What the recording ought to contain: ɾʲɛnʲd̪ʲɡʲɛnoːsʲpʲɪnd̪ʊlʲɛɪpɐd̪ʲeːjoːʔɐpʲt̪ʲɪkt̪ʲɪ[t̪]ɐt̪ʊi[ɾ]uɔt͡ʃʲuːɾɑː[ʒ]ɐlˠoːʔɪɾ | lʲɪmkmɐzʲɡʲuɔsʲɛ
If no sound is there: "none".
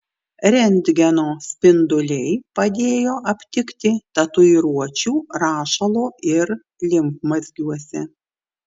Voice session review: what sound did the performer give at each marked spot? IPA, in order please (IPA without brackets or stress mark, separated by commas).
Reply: t̪, ɾ, ʃ